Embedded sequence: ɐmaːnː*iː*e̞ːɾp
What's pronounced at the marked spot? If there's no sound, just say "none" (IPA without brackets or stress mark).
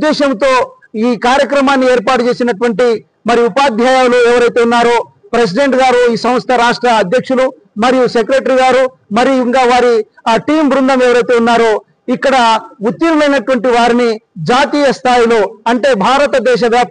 i